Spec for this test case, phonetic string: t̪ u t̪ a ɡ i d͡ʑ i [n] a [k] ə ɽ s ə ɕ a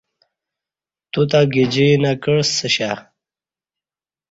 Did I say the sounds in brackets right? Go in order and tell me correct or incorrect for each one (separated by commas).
correct, correct